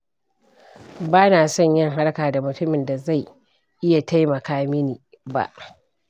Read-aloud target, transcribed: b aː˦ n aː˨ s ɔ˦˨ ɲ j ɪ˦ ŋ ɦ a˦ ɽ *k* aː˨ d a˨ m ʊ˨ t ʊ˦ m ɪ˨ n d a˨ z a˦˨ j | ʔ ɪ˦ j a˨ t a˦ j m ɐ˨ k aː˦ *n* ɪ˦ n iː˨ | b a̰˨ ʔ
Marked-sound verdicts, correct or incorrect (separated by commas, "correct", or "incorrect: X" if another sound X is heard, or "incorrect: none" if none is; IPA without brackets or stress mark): correct, incorrect: m